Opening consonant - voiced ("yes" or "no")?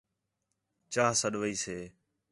no